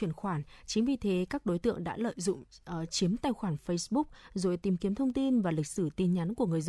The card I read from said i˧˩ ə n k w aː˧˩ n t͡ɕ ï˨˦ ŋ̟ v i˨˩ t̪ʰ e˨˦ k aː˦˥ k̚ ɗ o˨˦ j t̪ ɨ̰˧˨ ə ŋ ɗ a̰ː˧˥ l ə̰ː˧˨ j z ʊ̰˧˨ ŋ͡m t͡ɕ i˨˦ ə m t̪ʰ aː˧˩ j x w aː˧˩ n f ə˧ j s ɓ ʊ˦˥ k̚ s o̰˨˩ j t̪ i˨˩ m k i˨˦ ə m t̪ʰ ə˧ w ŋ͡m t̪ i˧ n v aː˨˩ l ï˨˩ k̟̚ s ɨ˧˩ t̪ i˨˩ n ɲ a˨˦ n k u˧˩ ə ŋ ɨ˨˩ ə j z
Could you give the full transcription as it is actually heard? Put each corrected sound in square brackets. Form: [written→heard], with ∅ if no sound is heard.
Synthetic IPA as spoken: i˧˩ ə n [k→x] w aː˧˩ n t͡ɕ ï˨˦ ŋ̟ v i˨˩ t̪ʰ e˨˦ k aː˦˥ k̚ ɗ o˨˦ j t̪ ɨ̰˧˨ ə ŋ ɗ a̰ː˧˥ l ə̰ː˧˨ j z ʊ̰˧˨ ŋ͡m t͡ɕ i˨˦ ə m [t̪ʰ→t̪] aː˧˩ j x w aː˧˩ n f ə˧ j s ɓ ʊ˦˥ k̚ [s→z] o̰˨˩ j t̪ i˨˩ m k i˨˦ ə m t̪ʰ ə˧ w ŋ͡m t̪ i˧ n v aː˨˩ l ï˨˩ k̟̚ s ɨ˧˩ t̪ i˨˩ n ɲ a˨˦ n k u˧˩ ə ŋ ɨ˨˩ ə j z